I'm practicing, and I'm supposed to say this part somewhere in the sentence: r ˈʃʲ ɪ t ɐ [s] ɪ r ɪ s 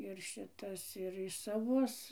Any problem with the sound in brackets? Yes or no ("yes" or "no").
no